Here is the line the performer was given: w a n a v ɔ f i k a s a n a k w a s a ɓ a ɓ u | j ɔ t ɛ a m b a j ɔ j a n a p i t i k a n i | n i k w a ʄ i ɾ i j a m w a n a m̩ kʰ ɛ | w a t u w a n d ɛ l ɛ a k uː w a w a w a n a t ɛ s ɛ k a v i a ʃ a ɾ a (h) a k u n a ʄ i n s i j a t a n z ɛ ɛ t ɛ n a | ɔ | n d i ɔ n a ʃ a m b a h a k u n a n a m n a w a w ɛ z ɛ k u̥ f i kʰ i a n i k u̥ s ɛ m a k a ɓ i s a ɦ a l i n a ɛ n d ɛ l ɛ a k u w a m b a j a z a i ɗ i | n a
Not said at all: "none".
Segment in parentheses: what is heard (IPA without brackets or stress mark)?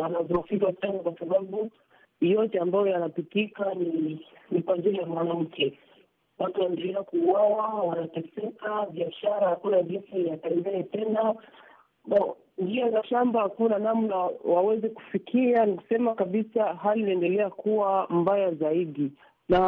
h